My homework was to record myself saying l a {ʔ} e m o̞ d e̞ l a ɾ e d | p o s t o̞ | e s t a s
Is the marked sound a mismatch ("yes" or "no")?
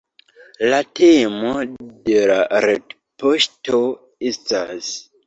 yes